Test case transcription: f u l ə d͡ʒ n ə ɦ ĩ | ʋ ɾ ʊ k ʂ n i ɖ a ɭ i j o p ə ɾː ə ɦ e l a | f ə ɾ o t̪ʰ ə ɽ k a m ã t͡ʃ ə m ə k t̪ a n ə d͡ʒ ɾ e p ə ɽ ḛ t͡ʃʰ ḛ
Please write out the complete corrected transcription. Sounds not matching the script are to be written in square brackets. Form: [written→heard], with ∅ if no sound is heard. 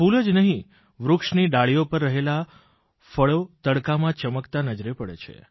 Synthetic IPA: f u l ə d͡ʒ n ə ɦ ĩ | ʋ ɾ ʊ k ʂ n i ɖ a ɭ i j o p ə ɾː ə ɦ e l a | f ə [ɾ→ɭ] o [t̪ʰ→t̪] ə ɽ k a m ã t͡ʃ ə m ə k t̪ a n ə d͡ʒ ɾ e p ə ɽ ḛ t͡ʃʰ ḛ

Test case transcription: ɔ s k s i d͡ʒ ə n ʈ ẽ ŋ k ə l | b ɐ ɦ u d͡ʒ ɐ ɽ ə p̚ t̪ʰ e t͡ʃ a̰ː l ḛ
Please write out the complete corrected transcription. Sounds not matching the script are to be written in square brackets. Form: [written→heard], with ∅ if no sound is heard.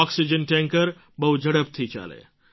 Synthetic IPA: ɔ [s→∅] k s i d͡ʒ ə n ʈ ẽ ŋ k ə [l→ɾ] | b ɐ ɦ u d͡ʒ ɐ ɽ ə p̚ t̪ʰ [e→i] t͡ʃ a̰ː l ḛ

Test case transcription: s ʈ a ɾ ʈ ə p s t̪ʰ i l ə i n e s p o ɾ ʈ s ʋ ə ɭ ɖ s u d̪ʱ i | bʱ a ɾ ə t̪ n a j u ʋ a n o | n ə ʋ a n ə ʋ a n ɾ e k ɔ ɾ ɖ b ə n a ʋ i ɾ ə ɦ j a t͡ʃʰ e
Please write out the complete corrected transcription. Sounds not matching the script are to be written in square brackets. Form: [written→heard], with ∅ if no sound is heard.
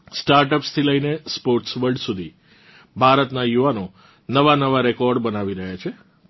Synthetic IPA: s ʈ a ɾ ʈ ə p s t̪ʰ i l ə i n e s p o ɾ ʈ s ʋ ə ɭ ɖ s u d̪ʱ i | bʱ a ɾ ə t̪ n a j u ʋ a n o | n ə ʋ a n ə ʋ a [n→∅] ɾ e k ɔ ɾ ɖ b ə n a ʋ i ɾ ə ɦ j a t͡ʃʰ e

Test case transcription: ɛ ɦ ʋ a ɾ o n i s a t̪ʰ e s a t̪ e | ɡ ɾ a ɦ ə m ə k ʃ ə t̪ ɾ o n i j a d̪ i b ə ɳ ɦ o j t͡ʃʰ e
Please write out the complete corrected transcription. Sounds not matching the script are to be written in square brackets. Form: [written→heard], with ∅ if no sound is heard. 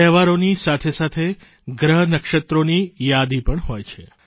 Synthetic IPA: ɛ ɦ ʋ a ɾ o n i s a t̪ʰ e s a [t̪→t̪ʰ] e | ɡ ɾ [a→ə] ɦ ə [m→n] ə k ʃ ə t̪ ɾ o n i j a d̪ i [b→p] ə ɳ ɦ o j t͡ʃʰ e

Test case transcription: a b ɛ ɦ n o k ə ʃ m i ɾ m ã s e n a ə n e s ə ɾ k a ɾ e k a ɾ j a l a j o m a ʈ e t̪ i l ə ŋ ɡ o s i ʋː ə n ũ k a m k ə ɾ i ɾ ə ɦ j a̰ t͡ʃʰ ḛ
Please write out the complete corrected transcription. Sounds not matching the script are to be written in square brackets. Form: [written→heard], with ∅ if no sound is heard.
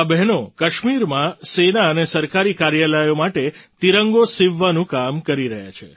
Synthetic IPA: a b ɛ ɦ n o k ə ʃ m i ɾ m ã s e n a ə n e s ə ɾ k a ɾ [e→i] k a ɾ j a l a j o m a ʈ e t̪ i [l→ɾ] ə ŋ ɡ o s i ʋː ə n ũ k a m k ə ɾ i ɾ ə ɦ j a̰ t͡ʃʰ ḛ

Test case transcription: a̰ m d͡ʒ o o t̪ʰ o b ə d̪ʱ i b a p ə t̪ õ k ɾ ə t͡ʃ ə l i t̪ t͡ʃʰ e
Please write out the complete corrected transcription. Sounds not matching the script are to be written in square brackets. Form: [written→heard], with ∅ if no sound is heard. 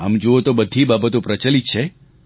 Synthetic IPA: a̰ m d͡ʒ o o [t̪ʰ→t̪] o b ə d̪ʱ i b a [p→b] ə t̪ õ [k→p] ɾ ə t͡ʃ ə l i t̪ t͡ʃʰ e

